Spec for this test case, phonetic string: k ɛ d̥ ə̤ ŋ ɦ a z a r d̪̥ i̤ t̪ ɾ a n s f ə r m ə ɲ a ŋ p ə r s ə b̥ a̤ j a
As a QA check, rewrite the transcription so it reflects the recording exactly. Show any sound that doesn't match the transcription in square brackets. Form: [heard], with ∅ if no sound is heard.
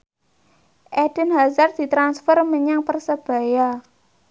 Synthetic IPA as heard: [ʔ] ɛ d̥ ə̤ [n] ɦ a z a r d̪̥ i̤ t̪ ɾ a n s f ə r m ə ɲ a ŋ p ə r s ə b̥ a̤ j a